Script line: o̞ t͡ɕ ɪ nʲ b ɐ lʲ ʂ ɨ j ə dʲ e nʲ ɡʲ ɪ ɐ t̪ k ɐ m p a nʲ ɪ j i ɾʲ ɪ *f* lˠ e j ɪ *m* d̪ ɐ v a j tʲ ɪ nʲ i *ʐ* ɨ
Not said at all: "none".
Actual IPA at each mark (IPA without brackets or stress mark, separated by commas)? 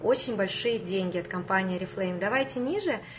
f, m, ʐ